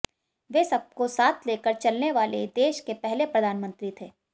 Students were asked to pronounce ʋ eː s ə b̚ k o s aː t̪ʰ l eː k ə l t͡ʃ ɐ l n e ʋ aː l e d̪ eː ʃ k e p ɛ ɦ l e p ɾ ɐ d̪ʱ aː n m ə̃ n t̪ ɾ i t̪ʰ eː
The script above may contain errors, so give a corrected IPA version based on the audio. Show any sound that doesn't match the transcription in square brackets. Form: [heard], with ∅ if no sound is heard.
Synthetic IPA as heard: ʋ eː s [ɐ] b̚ k o s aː t̪ʰ l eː k ə [ɾ] t͡ʃ ɐ l n e ʋ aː l e d̪ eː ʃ k e p ɛ ɦ l e p ɾ ɐ d̪ʱ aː n m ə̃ n t̪ ɾ i t̪ʰ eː